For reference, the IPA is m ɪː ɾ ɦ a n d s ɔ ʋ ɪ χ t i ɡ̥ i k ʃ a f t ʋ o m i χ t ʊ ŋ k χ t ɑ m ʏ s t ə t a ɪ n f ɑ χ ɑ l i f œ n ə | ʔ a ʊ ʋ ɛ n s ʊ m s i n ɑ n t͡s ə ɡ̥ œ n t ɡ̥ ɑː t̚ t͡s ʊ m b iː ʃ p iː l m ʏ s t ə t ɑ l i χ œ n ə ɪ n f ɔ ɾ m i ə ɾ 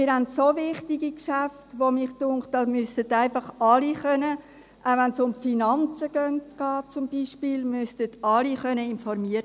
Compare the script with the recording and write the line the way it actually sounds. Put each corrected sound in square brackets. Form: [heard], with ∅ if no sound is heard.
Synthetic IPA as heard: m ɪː ɾ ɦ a n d s [o] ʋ ɪ χ t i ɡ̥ i k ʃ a f t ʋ o m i χ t ʊ ŋ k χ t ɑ m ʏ s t ə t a ɪ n f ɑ χ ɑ l i [χ] œ n ə | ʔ a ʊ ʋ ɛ n s ʊ m [f] i n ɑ n t͡s ə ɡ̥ œ n t ɡ̥ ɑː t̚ t͡s ʊ m b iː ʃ p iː l m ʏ s t ə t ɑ l i χ œ n ə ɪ n f ɔ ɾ m i ə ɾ